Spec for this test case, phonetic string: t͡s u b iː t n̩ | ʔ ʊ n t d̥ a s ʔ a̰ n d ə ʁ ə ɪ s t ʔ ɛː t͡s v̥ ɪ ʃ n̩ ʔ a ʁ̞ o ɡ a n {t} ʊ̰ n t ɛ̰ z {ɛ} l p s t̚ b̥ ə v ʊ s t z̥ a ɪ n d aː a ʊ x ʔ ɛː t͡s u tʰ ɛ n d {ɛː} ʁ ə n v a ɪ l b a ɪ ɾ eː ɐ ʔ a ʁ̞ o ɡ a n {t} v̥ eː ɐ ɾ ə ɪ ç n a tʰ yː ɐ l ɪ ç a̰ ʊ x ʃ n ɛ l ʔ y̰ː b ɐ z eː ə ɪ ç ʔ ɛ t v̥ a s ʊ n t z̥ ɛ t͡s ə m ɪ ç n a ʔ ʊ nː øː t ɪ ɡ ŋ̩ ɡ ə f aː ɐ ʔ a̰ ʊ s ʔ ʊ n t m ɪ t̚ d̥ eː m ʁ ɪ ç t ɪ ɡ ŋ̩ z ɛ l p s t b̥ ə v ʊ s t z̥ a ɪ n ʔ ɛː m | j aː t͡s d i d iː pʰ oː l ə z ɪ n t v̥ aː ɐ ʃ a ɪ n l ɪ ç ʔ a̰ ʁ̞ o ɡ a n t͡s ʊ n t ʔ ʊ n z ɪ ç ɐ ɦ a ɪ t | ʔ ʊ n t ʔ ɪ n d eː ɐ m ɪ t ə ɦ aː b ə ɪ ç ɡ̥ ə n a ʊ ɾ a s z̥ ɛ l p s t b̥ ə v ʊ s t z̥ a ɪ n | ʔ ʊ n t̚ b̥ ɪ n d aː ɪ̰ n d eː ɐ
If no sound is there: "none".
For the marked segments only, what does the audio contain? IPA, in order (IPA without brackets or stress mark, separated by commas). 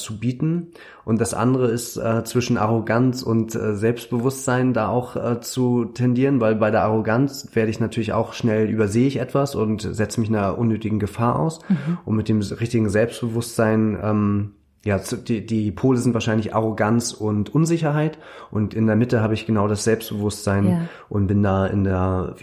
t͡s, ɛ, iː, t͡s